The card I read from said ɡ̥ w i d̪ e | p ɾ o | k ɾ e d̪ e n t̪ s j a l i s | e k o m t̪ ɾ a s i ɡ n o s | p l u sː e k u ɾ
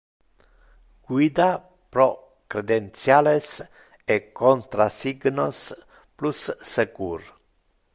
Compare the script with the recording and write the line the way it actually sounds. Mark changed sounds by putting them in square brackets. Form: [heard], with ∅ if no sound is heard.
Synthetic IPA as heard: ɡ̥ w i d̪ [a] | p ɾ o | k ɾ e d̪ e n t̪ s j a l [e] s | e k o [n] t̪ ɾ a s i ɡ n o s | p l u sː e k u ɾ